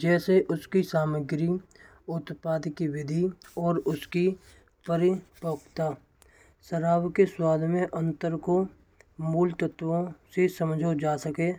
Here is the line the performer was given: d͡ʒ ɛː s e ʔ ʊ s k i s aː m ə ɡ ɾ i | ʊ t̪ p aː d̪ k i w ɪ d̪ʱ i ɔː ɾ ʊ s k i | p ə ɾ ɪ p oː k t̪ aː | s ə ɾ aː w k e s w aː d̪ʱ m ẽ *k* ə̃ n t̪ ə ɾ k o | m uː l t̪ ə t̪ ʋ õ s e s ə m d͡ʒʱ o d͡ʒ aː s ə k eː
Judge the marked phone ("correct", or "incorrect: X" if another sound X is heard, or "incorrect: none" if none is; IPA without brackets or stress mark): incorrect: ʔ